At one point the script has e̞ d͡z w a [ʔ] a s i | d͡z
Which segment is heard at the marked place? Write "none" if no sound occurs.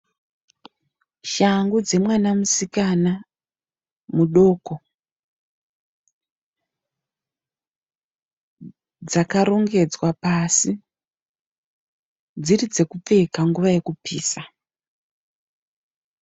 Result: p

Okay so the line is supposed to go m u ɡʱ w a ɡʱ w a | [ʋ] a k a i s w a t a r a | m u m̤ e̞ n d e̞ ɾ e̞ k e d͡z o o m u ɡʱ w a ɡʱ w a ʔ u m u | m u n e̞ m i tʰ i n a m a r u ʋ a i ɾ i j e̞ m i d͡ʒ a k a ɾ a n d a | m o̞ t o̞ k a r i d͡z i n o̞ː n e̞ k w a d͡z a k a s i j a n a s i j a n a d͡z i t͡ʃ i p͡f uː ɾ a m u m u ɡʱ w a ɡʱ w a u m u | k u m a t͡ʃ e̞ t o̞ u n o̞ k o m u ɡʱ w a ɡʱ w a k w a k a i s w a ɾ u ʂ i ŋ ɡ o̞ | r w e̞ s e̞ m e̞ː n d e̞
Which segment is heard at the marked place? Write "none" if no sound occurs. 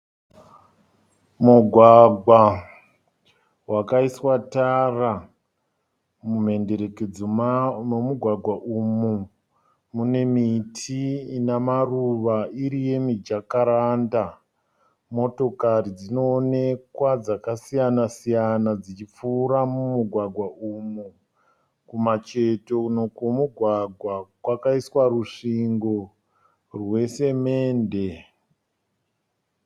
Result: w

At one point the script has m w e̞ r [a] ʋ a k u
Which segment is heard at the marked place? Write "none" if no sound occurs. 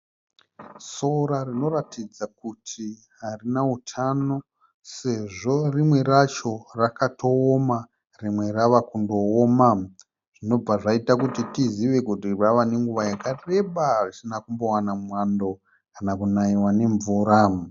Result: a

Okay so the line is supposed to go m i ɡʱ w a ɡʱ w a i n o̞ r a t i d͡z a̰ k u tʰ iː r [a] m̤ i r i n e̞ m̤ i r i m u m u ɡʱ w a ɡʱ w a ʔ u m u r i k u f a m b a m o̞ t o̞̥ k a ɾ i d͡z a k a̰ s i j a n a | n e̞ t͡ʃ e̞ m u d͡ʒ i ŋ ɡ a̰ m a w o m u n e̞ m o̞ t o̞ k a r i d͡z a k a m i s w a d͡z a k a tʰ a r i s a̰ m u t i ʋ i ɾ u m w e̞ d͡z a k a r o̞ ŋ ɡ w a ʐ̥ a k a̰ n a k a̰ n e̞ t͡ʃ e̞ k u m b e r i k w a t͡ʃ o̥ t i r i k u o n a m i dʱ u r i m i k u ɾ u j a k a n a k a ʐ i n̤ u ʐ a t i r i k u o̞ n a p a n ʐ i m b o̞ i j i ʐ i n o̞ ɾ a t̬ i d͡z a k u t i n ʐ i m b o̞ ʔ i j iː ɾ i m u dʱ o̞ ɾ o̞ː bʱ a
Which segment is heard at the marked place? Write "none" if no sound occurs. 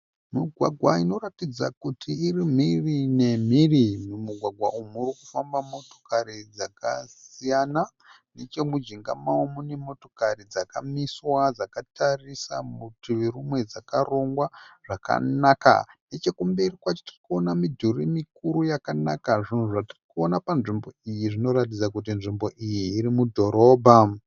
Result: i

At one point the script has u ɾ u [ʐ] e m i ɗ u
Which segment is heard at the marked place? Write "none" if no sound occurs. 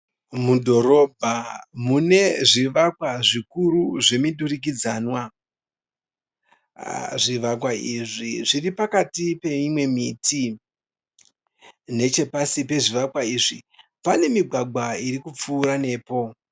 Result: ʐ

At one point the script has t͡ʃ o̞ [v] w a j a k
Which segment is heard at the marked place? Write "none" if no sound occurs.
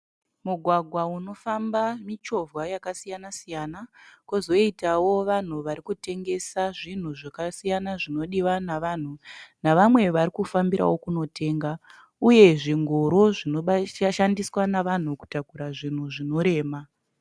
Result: v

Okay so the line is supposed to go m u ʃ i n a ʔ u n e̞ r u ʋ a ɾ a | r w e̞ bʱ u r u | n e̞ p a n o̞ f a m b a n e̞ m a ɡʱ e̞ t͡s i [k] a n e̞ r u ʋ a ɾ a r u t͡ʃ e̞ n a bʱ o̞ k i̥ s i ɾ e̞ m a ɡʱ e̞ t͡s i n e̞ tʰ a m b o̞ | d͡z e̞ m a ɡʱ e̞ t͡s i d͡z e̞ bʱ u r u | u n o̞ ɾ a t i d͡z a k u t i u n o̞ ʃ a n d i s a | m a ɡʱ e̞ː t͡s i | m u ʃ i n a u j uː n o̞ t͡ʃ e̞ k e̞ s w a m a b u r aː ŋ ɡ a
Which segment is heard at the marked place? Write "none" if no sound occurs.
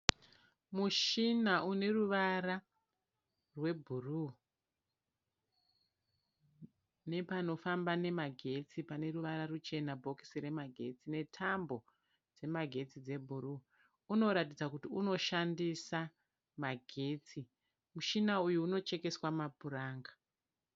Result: p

